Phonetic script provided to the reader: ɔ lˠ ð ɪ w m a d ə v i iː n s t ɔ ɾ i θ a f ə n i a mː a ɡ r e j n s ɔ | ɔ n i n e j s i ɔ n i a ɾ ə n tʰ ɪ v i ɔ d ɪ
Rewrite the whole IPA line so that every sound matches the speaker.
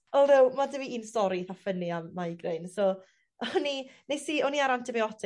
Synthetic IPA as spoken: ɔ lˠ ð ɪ w m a d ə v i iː n s t ɔ ɾ i θ a f ə n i a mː a ɡ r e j n s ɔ | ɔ n i n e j s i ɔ n i a ɾ a n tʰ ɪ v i ɔ d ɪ